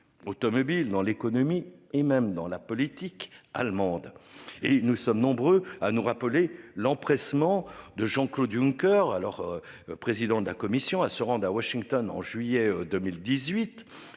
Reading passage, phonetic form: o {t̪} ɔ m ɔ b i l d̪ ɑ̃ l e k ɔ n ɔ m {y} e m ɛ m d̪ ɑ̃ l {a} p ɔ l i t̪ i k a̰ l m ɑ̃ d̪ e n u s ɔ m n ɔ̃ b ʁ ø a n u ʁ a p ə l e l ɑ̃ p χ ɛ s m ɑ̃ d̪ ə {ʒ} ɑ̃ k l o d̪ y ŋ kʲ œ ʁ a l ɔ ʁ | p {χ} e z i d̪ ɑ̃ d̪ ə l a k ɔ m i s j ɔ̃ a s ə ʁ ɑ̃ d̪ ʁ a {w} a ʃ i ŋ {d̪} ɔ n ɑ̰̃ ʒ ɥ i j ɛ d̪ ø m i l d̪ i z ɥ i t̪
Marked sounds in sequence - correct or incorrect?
correct, incorrect: i, correct, correct, correct, correct, incorrect: t̪

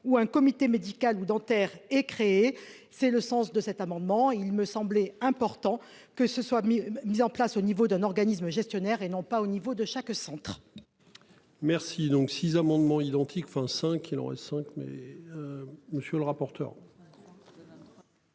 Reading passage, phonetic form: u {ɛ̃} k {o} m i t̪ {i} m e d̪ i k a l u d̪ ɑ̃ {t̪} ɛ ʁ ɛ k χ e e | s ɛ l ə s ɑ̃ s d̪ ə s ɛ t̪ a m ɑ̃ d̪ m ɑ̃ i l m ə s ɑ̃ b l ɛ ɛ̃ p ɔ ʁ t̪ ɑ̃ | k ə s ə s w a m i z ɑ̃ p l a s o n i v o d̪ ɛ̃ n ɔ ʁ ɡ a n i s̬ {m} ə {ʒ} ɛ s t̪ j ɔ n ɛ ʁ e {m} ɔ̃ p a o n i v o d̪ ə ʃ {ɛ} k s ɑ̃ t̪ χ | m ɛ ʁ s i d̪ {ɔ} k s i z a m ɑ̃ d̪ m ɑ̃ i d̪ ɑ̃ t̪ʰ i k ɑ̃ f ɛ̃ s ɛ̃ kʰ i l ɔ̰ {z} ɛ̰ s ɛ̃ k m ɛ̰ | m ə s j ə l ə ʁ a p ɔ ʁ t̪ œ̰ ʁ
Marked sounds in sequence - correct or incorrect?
correct, incorrect: ɔ, incorrect: e, correct, correct, correct, incorrect: n, incorrect: a, incorrect: ɔ̃, incorrect: ʁ

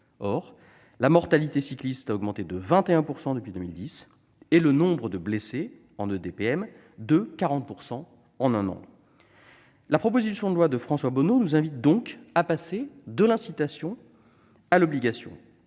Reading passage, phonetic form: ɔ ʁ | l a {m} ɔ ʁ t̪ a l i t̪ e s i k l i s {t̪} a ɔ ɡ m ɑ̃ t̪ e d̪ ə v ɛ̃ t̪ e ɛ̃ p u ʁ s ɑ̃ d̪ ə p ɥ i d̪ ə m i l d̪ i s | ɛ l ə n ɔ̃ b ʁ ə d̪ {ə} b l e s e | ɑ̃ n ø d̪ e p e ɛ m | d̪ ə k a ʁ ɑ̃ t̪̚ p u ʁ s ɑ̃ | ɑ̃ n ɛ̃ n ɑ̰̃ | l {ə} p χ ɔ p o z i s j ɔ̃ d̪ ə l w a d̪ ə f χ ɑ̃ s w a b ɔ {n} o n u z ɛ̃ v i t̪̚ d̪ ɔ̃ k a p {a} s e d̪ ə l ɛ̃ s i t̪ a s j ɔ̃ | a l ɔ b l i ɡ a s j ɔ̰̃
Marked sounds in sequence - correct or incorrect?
correct, correct, correct, incorrect: a, correct, correct

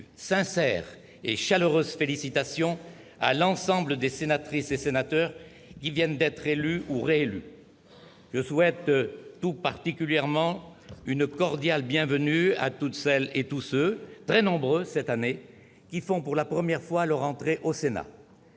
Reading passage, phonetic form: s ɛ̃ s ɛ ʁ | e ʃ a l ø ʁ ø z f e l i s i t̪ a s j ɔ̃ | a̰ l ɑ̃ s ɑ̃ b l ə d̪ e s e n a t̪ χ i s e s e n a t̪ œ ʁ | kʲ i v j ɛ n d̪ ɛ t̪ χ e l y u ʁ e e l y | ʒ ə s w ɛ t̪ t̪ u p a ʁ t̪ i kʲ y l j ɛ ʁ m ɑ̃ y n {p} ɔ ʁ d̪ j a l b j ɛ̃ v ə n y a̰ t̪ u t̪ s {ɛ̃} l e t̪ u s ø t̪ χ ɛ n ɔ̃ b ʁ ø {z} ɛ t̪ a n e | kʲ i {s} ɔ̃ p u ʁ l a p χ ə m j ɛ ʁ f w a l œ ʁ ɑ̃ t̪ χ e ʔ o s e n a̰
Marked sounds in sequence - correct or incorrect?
incorrect: k, incorrect: ɛ, incorrect: s, incorrect: f

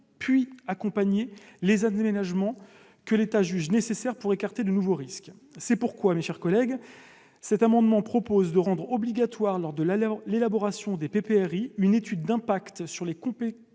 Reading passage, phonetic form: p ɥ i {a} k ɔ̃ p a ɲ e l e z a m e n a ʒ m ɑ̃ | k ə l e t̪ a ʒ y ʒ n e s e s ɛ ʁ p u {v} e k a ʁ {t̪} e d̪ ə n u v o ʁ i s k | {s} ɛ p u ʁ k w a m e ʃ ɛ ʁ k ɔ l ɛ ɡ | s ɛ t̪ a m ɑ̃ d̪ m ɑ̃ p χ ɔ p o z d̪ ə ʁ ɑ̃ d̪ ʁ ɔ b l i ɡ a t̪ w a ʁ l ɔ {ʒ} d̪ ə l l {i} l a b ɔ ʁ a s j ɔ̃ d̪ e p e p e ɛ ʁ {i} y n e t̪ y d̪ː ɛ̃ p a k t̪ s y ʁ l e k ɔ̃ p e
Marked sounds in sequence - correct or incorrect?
correct, incorrect: ʁ, correct, correct, incorrect: ʁ, incorrect: e, correct

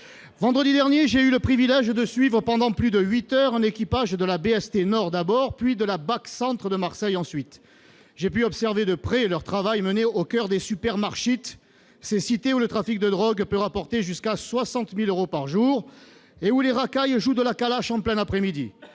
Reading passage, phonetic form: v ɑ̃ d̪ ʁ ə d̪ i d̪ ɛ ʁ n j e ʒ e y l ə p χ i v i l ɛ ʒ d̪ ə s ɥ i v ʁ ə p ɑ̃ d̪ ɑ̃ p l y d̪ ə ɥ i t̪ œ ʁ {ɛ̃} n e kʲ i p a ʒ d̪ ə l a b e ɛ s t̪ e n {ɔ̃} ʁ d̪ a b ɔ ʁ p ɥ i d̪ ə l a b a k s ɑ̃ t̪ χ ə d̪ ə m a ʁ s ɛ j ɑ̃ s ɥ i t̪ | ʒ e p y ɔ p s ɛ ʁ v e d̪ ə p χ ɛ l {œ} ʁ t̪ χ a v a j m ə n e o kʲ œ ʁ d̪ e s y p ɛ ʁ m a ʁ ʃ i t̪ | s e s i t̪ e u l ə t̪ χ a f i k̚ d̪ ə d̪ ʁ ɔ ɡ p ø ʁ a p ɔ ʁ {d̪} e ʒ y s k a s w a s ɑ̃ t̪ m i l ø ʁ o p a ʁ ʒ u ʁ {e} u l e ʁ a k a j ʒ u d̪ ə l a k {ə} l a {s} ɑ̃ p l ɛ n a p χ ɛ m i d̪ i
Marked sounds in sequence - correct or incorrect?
correct, incorrect: ɔ, correct, incorrect: t̪, correct, incorrect: a, incorrect: ʃ

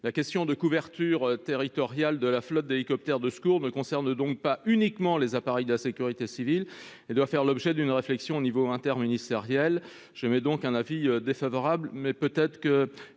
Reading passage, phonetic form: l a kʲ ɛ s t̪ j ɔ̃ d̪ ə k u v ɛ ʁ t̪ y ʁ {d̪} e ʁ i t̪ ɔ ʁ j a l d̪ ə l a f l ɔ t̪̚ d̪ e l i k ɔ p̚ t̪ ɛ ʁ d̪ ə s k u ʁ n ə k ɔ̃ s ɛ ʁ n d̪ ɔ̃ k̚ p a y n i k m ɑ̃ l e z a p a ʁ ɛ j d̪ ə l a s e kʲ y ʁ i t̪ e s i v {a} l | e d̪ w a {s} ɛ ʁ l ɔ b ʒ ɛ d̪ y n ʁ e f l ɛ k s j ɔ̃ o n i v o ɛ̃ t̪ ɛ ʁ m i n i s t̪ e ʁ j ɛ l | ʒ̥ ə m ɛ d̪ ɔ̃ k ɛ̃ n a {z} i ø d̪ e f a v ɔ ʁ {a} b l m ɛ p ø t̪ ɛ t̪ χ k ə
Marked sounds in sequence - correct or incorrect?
incorrect: t̪, incorrect: i, incorrect: f, incorrect: v, correct

